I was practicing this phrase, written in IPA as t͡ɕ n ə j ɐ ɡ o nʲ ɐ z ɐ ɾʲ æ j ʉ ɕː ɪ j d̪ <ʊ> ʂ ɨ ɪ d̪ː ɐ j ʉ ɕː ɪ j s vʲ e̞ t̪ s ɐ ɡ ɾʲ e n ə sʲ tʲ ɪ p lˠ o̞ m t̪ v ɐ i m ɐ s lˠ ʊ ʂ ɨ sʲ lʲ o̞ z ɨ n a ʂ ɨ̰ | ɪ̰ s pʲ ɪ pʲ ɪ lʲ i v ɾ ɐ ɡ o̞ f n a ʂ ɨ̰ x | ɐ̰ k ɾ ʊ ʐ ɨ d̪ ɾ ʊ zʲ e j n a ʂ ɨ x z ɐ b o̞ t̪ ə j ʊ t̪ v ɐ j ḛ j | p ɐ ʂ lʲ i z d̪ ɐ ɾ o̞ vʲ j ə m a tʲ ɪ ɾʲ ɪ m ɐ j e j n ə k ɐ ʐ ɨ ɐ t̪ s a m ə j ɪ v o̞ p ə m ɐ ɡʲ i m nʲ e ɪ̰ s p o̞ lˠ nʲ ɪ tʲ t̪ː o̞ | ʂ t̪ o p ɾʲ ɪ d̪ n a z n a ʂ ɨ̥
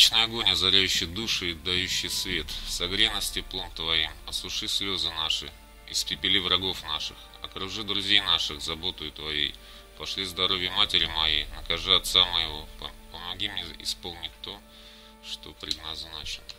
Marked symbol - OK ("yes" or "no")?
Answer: no